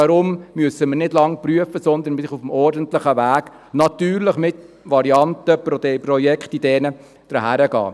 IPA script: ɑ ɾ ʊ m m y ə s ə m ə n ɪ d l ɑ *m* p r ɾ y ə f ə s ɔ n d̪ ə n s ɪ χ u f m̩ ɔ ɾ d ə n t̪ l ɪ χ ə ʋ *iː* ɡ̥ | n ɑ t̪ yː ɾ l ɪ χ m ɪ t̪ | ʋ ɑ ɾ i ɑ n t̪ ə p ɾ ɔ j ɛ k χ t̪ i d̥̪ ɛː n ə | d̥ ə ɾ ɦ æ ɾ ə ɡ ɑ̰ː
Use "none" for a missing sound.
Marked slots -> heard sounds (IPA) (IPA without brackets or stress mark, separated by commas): ŋ, æː